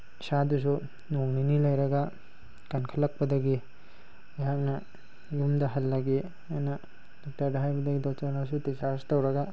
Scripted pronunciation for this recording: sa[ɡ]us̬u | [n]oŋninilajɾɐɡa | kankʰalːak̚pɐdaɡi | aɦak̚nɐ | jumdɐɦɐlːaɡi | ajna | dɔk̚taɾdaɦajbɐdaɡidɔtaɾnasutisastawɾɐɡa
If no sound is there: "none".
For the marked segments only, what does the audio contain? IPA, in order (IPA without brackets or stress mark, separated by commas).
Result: d, n